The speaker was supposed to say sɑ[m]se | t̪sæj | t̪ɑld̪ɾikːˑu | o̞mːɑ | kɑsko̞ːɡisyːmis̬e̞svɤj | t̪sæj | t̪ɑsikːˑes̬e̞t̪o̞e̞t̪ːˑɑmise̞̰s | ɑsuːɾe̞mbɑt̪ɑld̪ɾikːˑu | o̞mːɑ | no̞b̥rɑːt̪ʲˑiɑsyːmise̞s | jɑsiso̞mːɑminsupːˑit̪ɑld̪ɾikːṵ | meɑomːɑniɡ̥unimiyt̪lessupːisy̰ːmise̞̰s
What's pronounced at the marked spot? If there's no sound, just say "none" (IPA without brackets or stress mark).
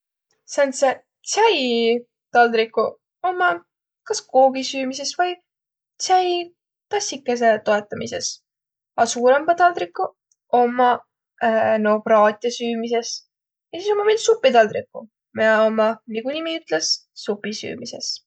n